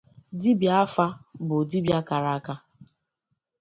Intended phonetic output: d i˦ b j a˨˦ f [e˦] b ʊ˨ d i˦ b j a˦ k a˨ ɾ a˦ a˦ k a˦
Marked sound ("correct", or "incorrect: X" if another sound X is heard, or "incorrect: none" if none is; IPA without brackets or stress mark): incorrect: a˦